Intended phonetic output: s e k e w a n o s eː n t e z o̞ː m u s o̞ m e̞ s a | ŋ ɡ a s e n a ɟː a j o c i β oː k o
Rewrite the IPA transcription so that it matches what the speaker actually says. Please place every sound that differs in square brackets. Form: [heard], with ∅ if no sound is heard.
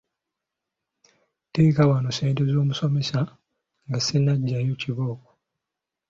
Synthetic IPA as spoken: [t] e k [a] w a n o s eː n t e z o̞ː m u s o̞ m e̞ s a | ŋ ɡ a s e n a ɟː a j o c i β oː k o